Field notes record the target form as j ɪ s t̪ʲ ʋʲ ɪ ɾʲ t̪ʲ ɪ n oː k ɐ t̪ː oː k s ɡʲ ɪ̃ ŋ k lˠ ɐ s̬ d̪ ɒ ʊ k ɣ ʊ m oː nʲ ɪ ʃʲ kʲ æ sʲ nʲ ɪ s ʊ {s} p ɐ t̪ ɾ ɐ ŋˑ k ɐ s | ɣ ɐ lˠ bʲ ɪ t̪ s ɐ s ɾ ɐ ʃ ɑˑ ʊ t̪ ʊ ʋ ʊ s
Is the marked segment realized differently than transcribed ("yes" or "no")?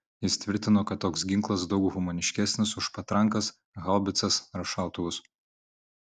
yes